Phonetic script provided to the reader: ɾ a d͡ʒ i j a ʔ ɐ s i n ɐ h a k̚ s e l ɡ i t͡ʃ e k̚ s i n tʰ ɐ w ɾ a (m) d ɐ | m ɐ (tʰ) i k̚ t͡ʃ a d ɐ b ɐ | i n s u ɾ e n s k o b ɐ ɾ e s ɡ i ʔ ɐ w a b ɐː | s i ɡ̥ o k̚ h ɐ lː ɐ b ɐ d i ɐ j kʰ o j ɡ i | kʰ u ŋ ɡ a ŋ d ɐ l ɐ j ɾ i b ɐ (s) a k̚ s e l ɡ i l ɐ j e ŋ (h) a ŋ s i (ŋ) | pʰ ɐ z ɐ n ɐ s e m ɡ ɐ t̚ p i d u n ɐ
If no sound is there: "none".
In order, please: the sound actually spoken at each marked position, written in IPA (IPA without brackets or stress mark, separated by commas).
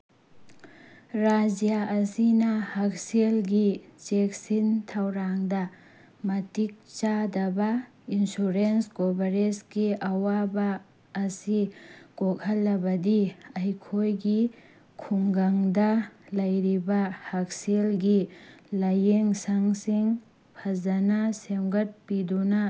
ŋ, t, h, s, ŋ